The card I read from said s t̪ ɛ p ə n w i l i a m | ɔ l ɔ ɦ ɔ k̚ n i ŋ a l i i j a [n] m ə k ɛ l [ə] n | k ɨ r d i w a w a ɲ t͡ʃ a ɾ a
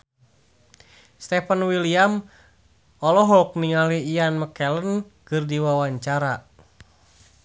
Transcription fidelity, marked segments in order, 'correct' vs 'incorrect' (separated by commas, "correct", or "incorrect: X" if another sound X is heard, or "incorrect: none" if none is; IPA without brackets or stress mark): correct, correct